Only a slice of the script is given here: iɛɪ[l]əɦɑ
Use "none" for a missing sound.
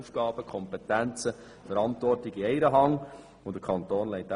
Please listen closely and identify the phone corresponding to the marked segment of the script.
ɾ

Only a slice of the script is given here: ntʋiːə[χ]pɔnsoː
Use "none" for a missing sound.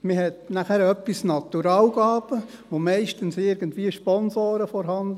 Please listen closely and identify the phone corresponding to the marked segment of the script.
ʃ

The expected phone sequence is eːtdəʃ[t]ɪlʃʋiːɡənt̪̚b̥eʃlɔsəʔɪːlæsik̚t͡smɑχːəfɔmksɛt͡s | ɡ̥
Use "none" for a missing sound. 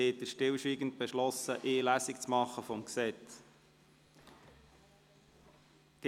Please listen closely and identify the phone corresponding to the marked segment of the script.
t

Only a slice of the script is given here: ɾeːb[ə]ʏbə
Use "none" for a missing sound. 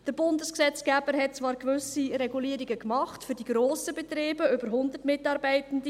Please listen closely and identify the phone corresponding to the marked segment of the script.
ə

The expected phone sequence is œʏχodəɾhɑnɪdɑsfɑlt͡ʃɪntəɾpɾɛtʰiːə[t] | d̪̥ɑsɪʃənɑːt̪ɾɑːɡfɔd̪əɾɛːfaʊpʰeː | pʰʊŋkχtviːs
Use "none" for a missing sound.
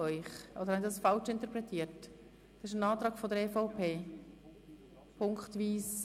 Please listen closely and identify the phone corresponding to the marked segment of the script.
t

